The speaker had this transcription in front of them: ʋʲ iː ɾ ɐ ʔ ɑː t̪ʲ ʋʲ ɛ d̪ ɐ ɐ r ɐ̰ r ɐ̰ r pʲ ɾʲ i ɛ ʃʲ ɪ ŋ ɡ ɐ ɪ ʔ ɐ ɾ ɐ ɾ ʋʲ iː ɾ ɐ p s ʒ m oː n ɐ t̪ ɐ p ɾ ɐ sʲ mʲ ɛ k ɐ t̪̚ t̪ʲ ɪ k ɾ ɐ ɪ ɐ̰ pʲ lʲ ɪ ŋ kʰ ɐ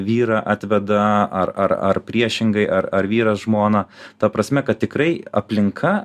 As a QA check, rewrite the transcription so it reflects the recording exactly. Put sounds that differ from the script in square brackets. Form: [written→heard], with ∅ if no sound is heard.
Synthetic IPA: ʋʲ iː ɾ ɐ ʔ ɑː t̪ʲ ʋʲ ɛ d̪ ɐ ɐ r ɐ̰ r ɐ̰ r pʲ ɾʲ i ɛ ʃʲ ɪ ŋ ɡ ɐ ɪ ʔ ɐ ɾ ɐ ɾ ʋʲ iː ɾ ɐ [p→∅] s ʒ m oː n ɐ t̪ ɐ p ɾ ɐ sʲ mʲ ɛ k ɐ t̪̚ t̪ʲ ɪ k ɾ ɐ ɪ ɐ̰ pʲ lʲ ɪ ŋ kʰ ɐ